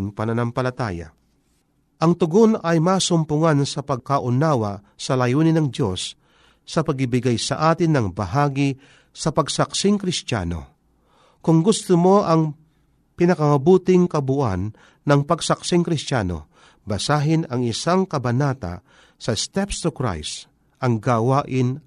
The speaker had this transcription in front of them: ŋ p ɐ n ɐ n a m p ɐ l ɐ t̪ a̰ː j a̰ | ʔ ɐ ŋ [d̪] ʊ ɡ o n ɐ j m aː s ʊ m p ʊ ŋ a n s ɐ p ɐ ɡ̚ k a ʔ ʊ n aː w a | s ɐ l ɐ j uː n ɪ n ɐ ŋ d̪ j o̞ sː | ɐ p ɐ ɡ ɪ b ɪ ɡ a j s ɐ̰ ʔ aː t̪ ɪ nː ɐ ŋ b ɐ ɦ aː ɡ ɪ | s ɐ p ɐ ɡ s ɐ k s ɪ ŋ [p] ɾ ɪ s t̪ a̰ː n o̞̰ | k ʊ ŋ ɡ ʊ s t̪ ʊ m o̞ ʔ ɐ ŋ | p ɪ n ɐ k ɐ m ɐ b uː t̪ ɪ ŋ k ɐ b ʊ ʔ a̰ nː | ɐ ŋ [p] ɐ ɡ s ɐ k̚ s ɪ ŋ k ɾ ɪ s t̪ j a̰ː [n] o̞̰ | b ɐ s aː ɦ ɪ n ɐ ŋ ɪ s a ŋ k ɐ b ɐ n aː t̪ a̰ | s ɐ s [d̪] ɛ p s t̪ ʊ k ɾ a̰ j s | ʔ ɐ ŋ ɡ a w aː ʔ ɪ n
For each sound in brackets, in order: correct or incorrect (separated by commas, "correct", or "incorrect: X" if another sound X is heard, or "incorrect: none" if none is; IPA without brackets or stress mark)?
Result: incorrect: t̪, incorrect: k, correct, correct, incorrect: t̪